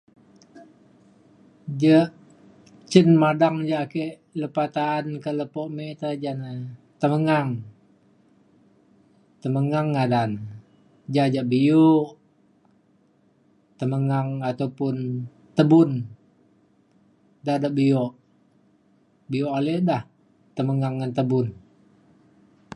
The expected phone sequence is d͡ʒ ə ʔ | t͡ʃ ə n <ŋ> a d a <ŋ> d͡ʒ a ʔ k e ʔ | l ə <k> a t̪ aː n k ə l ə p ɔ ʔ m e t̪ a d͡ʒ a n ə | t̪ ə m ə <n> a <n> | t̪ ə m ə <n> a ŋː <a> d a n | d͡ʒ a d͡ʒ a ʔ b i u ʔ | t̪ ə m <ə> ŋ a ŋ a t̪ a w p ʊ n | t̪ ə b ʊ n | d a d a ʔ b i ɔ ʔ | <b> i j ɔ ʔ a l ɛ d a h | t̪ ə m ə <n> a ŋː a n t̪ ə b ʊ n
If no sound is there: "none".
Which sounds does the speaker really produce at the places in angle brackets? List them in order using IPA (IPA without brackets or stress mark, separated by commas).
m, ŋ, p, ŋ, ŋ, ŋ, a, ə, b, ŋ